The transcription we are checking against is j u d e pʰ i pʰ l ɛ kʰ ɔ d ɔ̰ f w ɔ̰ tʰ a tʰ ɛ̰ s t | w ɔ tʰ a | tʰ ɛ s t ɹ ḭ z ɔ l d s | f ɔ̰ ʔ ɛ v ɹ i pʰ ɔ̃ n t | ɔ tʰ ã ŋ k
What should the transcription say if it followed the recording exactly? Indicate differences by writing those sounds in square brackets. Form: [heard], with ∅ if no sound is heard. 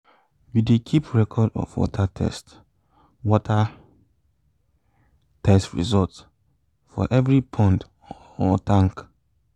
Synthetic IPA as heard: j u d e [kʰ] i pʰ [ɹ] ɛ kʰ ɔ d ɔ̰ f w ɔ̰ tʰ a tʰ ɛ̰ s t | w ɔ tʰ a | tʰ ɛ s t ɹ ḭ z ɔ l [t] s | f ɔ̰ ʔ ɛ v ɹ i pʰ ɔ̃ n t | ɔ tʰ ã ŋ k